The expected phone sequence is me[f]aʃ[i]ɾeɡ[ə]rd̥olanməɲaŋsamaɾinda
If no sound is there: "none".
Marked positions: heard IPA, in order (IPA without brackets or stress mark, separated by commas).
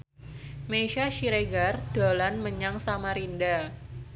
ʃ, i, a